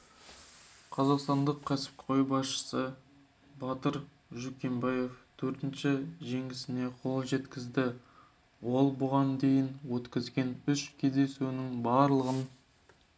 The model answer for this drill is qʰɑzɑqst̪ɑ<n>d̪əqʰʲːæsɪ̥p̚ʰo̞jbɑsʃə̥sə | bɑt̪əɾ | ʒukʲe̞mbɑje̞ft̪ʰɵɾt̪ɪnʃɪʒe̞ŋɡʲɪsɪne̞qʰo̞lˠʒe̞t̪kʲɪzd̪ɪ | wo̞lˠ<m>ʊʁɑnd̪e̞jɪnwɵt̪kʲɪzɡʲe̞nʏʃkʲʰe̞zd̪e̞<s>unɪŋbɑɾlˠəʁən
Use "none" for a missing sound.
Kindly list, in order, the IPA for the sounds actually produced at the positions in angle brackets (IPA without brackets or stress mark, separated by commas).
n, b, s